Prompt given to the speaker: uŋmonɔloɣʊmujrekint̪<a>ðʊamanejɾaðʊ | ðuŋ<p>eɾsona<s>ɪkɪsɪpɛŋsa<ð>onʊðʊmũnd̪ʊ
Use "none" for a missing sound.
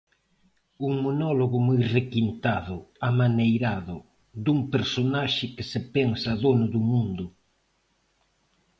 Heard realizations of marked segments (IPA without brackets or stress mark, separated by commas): a, p, ʃ, ð